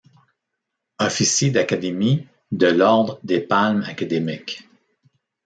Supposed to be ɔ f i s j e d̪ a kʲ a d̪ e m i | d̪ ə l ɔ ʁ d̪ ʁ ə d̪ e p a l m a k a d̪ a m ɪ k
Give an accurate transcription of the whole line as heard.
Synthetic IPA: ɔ f i s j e d̪ a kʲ a d̪ e m i | d̪ ə l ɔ ʁ d̪ ʁ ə d̪ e p a l m a k a d̪ e m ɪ k

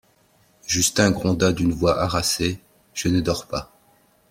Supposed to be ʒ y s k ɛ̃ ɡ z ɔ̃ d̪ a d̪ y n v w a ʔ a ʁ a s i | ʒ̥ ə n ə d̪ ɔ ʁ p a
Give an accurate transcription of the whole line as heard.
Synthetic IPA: ʒ y s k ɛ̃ ɡ ʁ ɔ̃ d̪ a d̪ y n v w a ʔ a ʁ a s e | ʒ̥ ə n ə d̪ ɔ ʁ p a

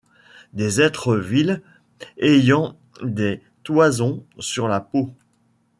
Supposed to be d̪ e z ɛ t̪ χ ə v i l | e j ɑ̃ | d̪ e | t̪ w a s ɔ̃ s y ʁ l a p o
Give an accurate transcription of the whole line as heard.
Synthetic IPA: d̪ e z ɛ t̪ χ ə v i l | e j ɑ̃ | d̪ e | t̪ w a z ɔ̃ s y ʁ l a p o

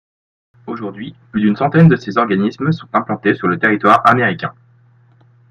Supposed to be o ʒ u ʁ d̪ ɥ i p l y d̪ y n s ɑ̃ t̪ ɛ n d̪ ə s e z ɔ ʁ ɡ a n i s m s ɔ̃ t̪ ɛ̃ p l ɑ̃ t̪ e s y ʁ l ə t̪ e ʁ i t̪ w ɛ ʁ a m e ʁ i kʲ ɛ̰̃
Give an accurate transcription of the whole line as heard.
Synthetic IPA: o ʒ u ʁ d̪ ɥ i p l y d̪ y n s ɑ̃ t̪ ɛ n d̪ ə s e z ɔ ʁ ɡ a n i s m s ɔ̃ t̪ ɛ̃ p l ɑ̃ t̪ e s y ʁ l ə t̪ e ʁ i t̪ w a ʁ a m e ʁ i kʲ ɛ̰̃

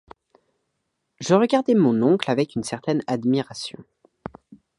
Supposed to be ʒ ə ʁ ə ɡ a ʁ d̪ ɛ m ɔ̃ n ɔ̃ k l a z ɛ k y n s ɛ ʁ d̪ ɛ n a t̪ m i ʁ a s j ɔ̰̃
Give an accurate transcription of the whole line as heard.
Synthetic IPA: ʒ ə ʁ ə ɡ a ʁ d̪ ɛ m ɔ̃ n ɔ̃ k l a v ɛ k y n s ɛ ʁ t̪ ɛ n a d̪ m i ʁ a s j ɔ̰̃

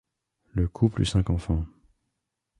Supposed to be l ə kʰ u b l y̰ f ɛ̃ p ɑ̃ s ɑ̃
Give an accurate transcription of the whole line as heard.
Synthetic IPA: l ə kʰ u p l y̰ s ɛ̃ k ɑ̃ f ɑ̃

